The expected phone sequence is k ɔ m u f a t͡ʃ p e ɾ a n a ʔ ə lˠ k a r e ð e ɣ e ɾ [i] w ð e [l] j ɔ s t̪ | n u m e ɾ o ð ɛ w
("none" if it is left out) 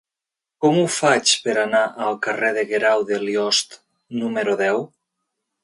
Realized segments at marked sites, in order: a, l

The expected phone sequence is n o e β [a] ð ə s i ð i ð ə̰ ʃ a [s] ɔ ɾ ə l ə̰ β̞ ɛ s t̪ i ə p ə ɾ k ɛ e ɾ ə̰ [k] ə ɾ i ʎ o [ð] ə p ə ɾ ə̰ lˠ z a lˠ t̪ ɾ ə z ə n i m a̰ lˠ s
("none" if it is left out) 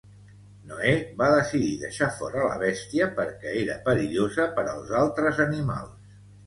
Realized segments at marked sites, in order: a, f, p, z

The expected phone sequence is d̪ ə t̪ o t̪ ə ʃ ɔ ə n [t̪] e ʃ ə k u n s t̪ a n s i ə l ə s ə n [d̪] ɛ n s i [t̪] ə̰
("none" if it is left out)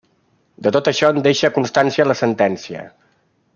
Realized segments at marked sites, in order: d̪, t̪, none

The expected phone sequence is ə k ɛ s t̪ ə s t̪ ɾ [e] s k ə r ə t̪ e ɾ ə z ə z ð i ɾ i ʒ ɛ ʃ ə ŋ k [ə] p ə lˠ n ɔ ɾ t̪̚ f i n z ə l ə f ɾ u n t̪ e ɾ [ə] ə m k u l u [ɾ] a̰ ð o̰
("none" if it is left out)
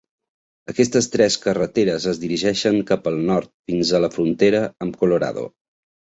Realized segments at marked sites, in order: ɛ, a, ə, ɾ

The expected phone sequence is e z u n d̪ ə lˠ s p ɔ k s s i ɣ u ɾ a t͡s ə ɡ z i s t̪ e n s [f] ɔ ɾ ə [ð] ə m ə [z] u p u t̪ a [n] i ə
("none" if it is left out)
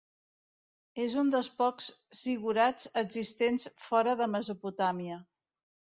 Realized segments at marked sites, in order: f, ð, z, m

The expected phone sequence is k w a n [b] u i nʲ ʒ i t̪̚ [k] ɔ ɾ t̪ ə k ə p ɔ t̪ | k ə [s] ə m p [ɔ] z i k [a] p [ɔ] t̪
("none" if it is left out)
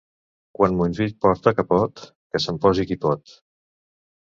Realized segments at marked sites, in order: m, p, s, ɔ, i, ɔ

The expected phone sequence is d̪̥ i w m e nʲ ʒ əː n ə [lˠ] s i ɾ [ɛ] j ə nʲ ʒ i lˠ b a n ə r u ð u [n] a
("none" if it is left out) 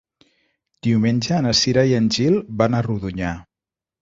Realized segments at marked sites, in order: none, a, ɲ

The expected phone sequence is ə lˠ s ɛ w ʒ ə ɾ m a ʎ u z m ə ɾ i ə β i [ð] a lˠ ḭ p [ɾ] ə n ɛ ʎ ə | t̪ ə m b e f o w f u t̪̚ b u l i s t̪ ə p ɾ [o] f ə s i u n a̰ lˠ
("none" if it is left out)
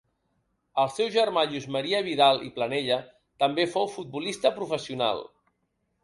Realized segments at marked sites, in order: ð, l, u

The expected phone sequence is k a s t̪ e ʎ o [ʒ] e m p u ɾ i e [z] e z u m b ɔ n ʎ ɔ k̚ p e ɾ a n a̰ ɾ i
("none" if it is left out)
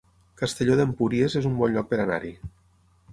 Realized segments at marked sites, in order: ð, z

